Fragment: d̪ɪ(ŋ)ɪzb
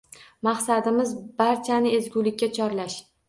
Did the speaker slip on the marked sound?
yes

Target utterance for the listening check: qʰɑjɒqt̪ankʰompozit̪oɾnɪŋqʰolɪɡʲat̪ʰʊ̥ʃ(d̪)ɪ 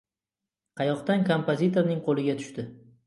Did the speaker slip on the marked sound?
yes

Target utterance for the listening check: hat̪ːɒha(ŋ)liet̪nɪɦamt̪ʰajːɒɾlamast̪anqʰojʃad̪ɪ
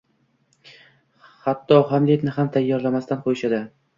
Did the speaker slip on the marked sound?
yes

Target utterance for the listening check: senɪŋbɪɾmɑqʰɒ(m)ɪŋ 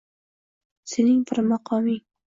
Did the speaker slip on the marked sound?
no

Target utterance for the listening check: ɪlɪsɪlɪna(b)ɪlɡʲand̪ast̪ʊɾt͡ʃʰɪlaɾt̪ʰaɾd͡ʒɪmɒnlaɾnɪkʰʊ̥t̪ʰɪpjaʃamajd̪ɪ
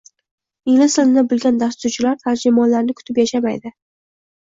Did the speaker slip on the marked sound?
no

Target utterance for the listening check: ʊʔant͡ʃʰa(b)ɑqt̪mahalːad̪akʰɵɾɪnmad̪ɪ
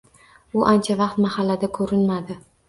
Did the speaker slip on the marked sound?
yes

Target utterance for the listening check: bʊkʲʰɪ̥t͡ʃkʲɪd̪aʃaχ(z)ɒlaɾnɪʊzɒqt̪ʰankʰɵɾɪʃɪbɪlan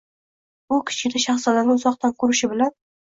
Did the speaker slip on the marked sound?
yes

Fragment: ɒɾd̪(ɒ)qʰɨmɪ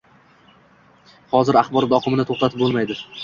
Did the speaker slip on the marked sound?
no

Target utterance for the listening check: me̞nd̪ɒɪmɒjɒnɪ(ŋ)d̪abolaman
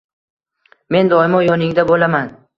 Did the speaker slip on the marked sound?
no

